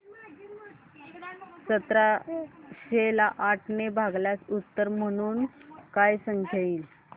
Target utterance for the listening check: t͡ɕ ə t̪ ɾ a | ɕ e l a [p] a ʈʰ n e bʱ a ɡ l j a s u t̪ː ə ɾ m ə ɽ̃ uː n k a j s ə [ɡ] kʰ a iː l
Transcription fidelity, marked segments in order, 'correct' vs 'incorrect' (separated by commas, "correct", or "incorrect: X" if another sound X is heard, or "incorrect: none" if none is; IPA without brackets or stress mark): incorrect: ʔ, incorrect: ŋ